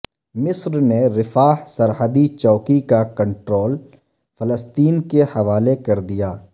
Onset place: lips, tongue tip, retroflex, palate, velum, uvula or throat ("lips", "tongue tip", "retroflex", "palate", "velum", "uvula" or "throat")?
lips